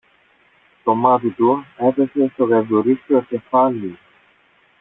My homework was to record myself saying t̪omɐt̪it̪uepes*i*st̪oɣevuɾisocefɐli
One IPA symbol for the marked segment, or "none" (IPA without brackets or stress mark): e